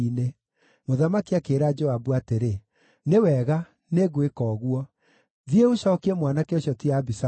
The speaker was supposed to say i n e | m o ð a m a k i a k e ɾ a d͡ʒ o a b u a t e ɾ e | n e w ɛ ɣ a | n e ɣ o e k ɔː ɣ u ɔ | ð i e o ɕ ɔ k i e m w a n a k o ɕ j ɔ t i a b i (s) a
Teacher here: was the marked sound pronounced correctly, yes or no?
yes